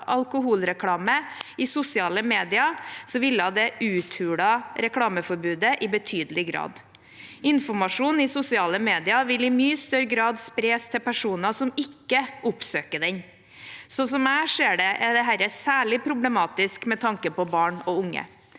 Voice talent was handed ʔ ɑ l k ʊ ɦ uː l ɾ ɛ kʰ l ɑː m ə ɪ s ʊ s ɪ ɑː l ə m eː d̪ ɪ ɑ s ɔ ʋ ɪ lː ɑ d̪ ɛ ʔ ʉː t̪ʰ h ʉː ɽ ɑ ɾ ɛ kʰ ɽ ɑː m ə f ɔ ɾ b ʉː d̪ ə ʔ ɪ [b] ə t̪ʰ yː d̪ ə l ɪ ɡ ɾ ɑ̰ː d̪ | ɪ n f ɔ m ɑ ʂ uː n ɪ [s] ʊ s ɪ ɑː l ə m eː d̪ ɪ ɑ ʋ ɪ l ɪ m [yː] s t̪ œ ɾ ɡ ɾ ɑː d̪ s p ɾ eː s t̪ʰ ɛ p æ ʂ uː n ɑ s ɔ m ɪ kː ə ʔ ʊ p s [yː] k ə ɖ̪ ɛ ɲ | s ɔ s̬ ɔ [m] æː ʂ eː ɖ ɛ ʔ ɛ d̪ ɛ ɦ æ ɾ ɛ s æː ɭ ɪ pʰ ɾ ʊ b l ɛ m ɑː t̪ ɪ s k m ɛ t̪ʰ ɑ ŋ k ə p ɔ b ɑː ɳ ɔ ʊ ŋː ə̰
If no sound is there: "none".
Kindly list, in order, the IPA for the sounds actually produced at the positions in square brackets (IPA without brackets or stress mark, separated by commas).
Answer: b, s, yː, øː, m